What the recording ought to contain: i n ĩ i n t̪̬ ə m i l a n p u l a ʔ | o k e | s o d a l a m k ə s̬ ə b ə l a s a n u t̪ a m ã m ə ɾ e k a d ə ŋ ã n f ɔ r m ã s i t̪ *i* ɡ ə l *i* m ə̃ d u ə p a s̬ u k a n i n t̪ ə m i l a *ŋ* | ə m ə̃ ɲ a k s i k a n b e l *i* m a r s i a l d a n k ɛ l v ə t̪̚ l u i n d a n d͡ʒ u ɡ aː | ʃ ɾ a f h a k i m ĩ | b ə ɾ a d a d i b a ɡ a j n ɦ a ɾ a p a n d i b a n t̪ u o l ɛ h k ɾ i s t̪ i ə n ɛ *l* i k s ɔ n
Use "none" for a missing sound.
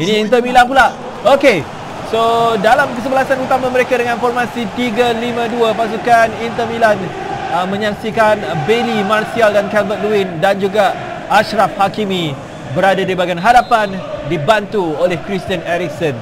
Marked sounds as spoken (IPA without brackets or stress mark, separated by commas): i, i, n, i, ɾ